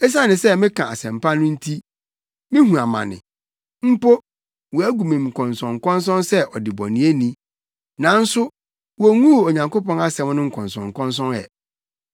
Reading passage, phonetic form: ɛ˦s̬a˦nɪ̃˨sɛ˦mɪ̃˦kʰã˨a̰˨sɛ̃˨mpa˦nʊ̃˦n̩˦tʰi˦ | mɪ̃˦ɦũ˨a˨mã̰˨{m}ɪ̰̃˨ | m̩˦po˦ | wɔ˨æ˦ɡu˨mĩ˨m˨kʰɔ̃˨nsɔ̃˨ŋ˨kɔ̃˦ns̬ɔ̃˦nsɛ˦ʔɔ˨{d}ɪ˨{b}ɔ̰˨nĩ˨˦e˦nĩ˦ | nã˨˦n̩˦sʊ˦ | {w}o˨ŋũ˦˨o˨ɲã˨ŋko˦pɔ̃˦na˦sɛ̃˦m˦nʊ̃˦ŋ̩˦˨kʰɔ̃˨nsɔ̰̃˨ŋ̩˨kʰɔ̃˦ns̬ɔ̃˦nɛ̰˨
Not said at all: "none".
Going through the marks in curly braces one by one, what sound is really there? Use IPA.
n, d, b, w

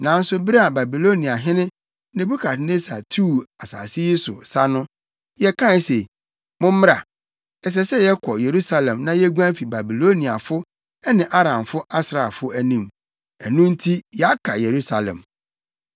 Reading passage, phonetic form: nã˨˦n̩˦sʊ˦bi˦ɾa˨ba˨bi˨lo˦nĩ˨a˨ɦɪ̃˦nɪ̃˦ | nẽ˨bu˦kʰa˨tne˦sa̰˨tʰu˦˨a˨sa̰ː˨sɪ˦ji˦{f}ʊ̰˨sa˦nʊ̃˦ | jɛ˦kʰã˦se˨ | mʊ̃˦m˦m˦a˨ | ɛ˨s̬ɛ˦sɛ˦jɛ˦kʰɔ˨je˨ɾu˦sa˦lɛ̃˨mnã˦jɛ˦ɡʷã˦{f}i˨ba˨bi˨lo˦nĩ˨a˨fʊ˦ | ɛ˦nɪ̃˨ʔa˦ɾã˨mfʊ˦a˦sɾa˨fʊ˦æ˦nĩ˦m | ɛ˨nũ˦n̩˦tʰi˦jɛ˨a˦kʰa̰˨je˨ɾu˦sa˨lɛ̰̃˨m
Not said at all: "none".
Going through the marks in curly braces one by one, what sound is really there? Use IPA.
s, f

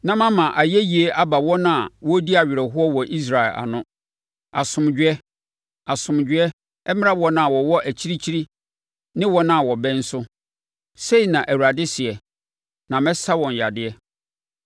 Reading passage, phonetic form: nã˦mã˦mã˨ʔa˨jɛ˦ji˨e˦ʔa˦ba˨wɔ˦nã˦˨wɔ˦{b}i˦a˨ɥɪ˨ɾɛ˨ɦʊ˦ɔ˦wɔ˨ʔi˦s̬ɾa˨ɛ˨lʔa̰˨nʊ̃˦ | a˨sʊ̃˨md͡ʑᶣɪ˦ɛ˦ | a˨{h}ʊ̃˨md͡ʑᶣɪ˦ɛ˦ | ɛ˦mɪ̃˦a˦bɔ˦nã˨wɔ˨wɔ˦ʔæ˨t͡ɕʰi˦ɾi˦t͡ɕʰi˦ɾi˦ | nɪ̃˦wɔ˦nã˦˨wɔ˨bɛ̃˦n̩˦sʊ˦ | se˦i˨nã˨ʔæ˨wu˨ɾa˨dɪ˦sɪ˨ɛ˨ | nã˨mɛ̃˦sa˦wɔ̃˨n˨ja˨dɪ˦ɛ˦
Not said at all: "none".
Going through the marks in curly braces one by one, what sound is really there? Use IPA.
d, s

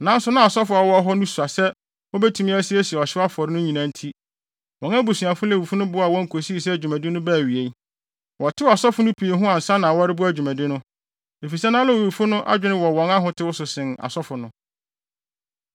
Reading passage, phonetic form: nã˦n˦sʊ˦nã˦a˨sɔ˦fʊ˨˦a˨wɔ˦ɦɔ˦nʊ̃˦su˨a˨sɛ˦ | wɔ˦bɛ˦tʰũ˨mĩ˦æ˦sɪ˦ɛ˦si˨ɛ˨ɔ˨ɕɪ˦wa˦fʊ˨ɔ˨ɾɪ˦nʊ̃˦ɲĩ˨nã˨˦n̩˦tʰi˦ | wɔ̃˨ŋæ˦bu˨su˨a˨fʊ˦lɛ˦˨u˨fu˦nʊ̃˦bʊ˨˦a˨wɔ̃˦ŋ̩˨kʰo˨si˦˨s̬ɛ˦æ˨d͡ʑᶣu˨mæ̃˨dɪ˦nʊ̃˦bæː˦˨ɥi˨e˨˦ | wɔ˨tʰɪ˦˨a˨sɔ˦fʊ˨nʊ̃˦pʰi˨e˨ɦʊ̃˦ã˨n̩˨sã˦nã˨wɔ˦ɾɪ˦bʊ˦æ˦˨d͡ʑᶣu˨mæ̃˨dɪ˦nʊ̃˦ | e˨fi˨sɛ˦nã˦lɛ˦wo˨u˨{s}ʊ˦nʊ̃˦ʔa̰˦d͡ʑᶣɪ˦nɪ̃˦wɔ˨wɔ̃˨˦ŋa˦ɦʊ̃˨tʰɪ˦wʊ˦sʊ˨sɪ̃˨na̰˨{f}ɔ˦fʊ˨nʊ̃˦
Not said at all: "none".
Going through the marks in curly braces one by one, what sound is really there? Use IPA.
f, s

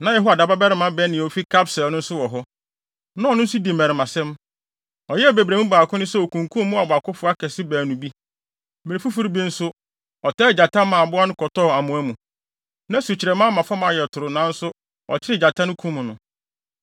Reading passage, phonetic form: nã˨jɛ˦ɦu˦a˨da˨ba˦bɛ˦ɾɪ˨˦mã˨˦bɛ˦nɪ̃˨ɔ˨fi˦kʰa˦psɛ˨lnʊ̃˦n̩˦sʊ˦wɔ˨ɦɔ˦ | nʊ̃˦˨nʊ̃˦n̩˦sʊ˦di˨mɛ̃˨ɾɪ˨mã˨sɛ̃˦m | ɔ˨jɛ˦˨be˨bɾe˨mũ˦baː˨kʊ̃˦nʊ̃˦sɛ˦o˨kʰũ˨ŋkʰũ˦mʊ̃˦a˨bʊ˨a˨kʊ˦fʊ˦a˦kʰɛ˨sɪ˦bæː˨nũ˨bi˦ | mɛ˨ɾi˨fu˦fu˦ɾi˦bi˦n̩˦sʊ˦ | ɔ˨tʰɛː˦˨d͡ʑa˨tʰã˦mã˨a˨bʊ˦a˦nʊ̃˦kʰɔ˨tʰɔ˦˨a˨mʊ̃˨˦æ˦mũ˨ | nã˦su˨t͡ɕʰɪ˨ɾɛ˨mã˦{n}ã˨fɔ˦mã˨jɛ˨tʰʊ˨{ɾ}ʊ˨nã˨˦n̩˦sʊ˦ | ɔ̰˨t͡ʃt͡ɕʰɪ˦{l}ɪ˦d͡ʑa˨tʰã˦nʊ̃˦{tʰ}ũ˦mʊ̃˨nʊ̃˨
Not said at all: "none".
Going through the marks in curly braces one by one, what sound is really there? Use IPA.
m, ɾ, ɾ, kʰ

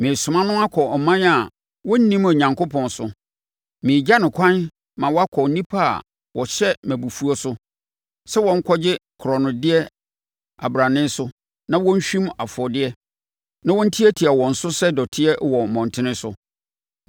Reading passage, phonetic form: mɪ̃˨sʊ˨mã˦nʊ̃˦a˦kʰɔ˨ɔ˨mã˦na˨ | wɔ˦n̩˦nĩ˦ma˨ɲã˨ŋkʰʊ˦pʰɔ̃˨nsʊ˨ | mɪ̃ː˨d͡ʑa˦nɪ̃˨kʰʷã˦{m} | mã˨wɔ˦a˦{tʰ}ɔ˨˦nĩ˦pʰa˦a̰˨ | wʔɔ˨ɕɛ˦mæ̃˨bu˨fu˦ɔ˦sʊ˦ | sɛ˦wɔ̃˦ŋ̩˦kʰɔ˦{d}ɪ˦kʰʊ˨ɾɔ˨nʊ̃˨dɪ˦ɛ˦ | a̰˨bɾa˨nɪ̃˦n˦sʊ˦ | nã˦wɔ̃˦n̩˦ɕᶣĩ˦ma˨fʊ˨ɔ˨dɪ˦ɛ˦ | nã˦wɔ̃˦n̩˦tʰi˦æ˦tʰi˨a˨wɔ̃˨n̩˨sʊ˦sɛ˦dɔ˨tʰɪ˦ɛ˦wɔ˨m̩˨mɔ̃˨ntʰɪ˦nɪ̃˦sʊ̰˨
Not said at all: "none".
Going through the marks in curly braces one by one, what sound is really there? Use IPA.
n, kʰ, d͡ʑ

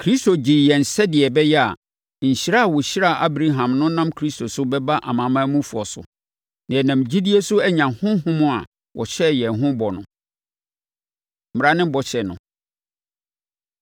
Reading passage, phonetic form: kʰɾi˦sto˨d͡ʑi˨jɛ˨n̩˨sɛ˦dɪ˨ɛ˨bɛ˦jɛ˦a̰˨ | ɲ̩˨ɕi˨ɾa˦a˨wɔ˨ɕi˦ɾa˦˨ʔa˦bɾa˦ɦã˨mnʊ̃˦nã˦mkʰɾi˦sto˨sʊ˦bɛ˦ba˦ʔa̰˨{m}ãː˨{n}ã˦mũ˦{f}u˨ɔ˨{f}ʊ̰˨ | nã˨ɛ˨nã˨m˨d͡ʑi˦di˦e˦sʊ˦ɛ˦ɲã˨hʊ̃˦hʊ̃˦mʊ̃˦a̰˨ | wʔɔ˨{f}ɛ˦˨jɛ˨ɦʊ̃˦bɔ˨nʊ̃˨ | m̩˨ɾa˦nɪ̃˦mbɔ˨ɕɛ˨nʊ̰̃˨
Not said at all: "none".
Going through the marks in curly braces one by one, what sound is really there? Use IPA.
m, m, f, s, ɕ

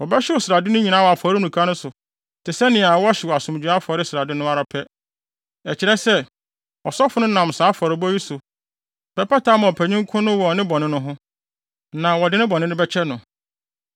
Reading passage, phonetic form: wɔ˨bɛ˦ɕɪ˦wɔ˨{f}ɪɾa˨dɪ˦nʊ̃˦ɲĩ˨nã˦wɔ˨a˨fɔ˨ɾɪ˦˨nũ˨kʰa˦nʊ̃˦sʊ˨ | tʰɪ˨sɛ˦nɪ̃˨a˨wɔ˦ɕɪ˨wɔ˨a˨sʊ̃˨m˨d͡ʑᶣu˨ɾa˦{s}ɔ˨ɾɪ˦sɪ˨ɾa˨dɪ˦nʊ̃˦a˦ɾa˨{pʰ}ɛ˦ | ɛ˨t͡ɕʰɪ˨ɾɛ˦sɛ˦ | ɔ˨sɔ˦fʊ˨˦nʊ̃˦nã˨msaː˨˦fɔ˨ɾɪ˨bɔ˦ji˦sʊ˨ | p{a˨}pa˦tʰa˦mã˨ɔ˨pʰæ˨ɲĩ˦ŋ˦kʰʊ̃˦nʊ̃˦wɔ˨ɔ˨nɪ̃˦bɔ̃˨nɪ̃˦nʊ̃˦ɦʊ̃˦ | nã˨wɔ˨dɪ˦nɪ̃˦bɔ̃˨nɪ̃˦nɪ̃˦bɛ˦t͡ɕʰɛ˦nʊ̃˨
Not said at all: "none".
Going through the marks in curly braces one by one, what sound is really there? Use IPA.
s, f, pʰ, ɛ˨

